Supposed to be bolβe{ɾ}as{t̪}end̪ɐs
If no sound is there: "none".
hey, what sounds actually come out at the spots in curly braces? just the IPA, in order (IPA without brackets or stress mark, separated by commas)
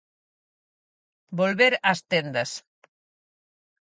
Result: ɾ, t̪